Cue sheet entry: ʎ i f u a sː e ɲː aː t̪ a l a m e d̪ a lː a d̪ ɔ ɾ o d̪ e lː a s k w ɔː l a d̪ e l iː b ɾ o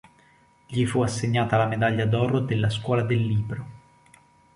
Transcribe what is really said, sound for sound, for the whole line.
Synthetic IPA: ʎ i f u a sː e ɲː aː t̪ a l a m e d̪ a ʎː a d̪ ɔ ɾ o d̪ e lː a s k w ɔː l a d̪ e lː iː b ɾ o